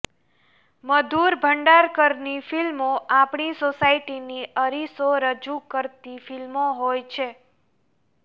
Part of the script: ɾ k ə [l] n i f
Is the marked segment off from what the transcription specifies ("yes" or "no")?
yes